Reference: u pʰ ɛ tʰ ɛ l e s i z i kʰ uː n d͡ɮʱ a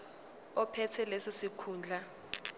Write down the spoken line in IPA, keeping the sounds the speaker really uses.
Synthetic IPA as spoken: ɔ pʰ ɛ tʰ ɛ l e s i s i kʰ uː n d͡ɮʱ a